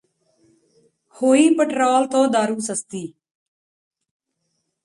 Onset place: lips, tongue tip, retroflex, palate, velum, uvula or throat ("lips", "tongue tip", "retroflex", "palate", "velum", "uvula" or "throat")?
throat